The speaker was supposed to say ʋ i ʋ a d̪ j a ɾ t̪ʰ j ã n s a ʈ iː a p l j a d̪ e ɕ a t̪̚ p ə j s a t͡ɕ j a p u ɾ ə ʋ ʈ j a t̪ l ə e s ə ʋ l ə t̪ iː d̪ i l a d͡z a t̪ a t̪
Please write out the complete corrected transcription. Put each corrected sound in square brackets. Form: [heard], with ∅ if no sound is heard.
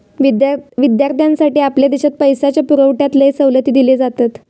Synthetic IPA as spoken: ʋ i ʋ [i] d̪ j a ɾ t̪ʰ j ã n s a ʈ iː a p l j a d̪ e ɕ a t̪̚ p ə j s a t͡ɕ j a p u ɾ ə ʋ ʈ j a t̪ l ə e s ə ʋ l ə t̪ iː d̪ i l [e] d͡z a t̪ a t̪